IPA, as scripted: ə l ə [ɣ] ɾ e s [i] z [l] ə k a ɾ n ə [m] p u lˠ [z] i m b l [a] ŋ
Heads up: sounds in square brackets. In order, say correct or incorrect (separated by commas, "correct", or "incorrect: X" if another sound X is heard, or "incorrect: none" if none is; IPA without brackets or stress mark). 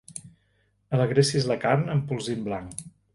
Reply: correct, correct, correct, correct, correct, correct